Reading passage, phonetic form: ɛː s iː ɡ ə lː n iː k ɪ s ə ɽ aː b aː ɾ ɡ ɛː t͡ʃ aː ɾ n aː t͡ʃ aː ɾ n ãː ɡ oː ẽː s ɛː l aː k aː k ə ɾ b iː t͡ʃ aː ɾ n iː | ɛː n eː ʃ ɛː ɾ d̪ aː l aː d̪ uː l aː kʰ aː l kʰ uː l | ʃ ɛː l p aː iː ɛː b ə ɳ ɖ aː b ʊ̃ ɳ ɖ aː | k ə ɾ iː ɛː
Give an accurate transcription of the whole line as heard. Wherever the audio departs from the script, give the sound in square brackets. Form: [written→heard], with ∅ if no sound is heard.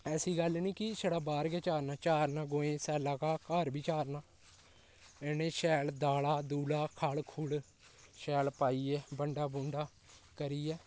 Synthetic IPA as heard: ɛː s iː ɡ ə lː n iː k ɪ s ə ɽ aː b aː ɾ ɡ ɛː t͡ʃ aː ɾ n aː t͡ʃ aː ɾ n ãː ɡ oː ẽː s ɛː l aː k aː k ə ɾ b iː t͡ʃ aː ɾ n [iː→aː] | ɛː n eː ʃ ɛː [ɾ→l] d̪ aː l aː d̪ uː l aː kʰ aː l kʰ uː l | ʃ ɛː l p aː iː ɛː b ə ɳ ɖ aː b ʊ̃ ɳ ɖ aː | k ə ɾ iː ɛː